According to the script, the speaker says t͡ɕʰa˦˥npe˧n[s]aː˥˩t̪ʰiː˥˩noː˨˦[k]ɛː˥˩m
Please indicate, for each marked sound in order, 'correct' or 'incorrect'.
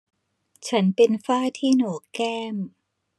incorrect: f, correct

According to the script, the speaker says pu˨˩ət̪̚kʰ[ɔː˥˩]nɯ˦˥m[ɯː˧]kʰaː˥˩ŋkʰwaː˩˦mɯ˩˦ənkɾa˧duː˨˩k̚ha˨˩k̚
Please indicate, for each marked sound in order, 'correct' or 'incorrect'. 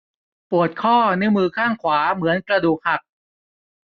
correct, correct

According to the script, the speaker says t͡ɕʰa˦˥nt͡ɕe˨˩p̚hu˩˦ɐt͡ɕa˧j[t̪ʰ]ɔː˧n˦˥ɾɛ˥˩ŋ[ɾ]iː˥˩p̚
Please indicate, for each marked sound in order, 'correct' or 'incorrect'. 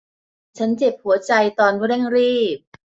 incorrect: t̪, correct

